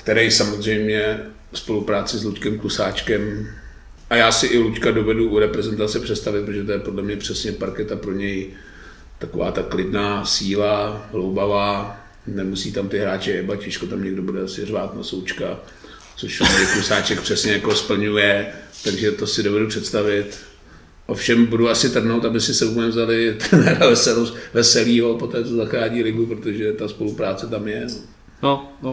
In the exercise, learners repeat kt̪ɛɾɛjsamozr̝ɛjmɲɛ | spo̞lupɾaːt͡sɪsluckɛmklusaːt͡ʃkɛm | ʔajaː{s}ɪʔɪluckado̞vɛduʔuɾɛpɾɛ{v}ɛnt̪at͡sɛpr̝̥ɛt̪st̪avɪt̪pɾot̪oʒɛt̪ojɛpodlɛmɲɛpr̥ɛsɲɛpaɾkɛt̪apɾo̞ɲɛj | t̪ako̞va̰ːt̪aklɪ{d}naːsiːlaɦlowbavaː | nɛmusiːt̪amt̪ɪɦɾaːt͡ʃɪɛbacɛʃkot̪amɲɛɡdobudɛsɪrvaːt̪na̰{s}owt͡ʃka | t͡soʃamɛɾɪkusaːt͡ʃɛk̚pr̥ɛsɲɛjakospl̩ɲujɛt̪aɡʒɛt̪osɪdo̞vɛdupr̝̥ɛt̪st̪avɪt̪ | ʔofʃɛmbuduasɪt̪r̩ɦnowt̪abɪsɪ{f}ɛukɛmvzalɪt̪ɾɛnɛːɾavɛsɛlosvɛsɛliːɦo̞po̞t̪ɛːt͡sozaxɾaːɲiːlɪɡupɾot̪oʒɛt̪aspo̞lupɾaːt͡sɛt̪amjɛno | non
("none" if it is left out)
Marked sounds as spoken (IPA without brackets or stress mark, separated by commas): s, z, d, s, s